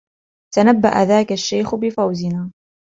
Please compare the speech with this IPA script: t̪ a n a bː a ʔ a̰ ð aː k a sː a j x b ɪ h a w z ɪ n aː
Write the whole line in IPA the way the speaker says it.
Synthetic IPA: t̪ a n a bː a ʔ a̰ ð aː k a ʃː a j x b ɪ f a w z ɪ n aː